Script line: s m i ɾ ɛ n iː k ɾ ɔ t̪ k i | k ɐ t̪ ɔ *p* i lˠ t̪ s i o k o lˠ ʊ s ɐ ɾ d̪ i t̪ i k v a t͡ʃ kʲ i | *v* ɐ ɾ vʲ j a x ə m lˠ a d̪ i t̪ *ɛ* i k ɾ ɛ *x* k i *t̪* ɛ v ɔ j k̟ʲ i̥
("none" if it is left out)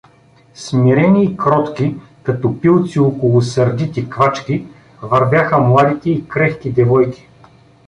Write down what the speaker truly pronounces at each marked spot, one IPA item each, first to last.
p, v, ɛ, x, d̪

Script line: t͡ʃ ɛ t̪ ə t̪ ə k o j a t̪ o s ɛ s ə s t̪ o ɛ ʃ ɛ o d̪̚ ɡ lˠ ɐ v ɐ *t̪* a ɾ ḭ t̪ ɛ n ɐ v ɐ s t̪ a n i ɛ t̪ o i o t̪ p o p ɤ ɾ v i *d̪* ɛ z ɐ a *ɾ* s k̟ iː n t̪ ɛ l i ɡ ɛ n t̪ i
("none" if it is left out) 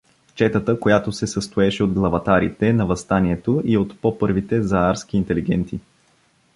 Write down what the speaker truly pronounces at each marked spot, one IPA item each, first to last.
t̪, t̪, ɾ

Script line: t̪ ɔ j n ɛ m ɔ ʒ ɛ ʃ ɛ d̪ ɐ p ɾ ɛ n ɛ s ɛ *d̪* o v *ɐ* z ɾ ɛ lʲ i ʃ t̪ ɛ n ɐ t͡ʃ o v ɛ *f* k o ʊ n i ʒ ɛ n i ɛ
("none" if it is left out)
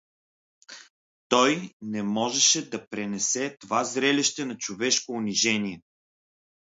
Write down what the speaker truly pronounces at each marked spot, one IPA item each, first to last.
t̪, a, ʃ

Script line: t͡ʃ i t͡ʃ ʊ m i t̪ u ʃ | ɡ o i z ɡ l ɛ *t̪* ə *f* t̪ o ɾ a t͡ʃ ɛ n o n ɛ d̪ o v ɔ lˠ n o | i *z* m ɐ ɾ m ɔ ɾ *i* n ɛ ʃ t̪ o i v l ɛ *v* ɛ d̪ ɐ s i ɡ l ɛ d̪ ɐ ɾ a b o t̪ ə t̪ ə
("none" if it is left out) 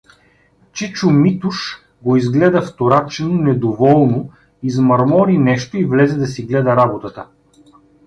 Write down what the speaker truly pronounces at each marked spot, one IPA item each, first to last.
d̪, f, z, i, z

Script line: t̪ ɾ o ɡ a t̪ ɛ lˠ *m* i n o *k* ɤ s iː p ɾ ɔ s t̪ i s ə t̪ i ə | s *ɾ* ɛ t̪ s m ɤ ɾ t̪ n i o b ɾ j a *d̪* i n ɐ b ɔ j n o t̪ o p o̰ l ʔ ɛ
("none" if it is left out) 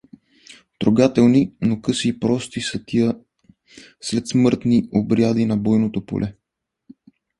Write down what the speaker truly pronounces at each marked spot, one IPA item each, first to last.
n, k, l, d̪

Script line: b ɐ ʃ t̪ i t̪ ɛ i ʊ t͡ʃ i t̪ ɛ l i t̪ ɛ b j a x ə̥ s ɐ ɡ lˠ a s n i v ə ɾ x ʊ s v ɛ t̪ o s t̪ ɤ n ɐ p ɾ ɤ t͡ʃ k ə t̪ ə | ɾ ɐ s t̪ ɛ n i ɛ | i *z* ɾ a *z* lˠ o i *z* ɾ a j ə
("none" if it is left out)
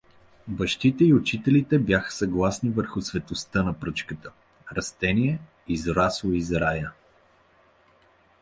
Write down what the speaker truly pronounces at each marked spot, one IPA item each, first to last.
z, s, z

